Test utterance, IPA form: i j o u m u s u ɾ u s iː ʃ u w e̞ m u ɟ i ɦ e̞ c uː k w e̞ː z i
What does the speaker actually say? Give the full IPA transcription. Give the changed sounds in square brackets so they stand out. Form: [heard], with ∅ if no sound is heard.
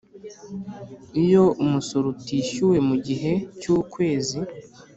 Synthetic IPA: i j o u m u s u ɾ u [t] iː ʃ u w e̞ m u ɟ i ɦ e̞ c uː k w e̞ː z i